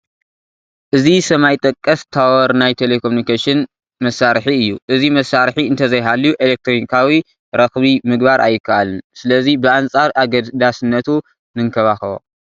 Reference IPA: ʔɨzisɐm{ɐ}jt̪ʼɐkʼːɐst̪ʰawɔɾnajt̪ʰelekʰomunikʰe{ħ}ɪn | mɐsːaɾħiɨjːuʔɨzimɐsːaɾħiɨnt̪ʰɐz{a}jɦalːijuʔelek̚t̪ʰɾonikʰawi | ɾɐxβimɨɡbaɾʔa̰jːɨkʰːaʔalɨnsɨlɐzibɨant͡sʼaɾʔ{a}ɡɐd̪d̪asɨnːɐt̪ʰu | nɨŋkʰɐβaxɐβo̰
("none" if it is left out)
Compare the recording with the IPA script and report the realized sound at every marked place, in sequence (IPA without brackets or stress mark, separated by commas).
a, ʃ, ɐ, a